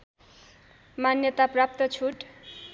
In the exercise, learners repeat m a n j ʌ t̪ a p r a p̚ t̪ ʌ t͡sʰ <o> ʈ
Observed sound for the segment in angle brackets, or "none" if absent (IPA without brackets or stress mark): u